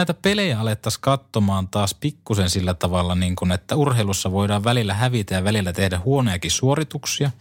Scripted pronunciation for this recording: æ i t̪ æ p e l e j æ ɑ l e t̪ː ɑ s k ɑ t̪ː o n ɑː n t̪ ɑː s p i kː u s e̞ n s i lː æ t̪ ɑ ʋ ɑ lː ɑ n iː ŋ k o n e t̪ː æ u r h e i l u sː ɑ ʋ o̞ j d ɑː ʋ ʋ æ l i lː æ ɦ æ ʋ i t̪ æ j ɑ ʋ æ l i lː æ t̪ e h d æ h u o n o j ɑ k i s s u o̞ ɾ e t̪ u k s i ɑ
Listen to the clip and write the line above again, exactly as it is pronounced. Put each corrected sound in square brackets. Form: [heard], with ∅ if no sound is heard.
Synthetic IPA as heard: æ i t̪ æ p e l e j æ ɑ l e t̪ː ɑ s k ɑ t̪ː o [m] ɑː n t̪ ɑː s p i kː u s e̞ n s i lː æ t̪ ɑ ʋ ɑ lː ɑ n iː ŋ k [u] n e t̪ː æ u r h e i l u sː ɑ ʋ o̞ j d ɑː ʋ ʋ æ l i lː æ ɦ æ ʋ i t̪ æ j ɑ ʋ æ l i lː æ t̪ e h d æ h u o n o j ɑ k i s s u o̞ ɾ [i] t̪ u k s i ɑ